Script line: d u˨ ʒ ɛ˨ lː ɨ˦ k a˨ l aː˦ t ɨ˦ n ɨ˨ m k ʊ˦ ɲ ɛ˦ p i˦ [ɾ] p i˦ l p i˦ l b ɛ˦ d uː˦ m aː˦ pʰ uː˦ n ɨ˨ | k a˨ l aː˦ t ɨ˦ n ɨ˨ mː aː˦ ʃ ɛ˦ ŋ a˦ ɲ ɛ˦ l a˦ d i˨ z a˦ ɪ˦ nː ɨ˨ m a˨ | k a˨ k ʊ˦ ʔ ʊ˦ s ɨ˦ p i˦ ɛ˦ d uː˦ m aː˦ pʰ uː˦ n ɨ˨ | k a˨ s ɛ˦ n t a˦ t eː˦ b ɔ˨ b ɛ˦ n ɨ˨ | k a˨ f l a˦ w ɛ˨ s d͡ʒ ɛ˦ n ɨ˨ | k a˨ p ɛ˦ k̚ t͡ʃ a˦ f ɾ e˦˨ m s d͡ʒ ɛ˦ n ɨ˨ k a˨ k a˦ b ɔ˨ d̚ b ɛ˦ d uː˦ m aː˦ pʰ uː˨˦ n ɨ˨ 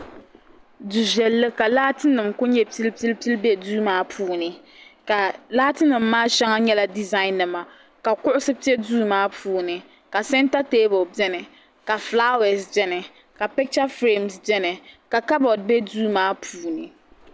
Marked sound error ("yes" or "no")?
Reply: yes